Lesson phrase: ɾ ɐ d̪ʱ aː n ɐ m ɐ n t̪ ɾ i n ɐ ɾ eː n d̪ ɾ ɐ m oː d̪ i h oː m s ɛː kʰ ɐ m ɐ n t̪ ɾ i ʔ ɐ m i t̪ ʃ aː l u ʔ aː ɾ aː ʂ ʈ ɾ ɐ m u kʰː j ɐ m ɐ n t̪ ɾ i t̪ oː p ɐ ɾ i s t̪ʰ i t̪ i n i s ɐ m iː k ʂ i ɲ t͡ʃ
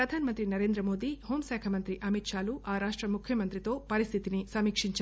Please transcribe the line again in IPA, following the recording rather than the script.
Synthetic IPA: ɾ ɐ d̪ʱ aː n ɐ m ɐ n t̪ ɾ i n ɐ ɾ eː n d̪ ɾ ɐ m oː d̪ i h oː m s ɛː kʰ ɐ m ɐ n t̪ ɾ i ʔ ɐ m i t̪ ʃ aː l u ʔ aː ɾ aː ʂ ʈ ɾ ɐ m u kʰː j ɐ m ɐ n t̪ ɾ i t̪ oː p ɐ ɾ i s t̪ʰ i t̪ i n i s ɐ m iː k ʂ i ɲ t͡ʃ